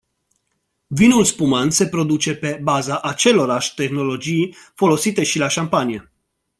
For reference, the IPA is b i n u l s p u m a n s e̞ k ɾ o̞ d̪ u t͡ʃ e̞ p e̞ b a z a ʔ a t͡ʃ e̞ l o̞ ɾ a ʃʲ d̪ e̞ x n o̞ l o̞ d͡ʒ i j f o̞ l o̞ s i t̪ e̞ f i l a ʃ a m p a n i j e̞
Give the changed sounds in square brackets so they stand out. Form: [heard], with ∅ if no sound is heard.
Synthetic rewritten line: [v] i n u l s p u m a n s e̞ [p] ɾ o̞ d̪ u t͡ʃ e̞ p e̞ b a z a ʔ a t͡ʃ e̞ l o̞ ɾ a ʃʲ [t̪] e̞ x n o̞ l o̞ d͡ʒ i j f o̞ l o̞ s i t̪ e̞ [ʃ] i l a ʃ a m p a n i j e̞